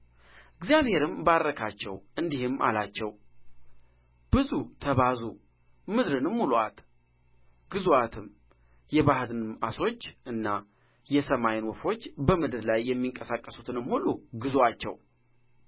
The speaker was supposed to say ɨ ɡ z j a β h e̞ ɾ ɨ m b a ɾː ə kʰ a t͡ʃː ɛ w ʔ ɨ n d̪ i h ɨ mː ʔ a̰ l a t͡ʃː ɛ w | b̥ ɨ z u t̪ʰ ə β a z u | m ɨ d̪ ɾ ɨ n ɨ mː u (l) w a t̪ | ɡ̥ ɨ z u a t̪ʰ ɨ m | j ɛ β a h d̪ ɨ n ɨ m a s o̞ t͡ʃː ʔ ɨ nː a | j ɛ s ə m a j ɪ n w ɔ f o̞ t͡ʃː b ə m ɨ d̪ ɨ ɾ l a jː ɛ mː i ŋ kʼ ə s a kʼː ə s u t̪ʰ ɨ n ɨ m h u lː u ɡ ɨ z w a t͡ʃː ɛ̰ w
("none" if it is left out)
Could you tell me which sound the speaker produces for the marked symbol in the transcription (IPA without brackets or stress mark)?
l